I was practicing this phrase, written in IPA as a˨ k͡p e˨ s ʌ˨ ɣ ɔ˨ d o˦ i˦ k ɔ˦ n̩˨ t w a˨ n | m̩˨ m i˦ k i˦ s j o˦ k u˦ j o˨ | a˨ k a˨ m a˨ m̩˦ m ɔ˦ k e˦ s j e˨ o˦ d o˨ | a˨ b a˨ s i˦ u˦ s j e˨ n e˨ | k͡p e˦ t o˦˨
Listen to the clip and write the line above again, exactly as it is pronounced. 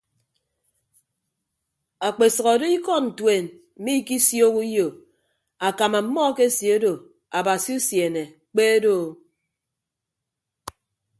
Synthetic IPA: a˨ k͡p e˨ s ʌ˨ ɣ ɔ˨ d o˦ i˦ k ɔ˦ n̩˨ t w e˨ n | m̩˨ m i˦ k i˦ s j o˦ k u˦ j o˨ | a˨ k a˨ m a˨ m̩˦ m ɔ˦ k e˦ s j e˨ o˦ d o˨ | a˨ b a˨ s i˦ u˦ s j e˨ n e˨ | k͡p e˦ d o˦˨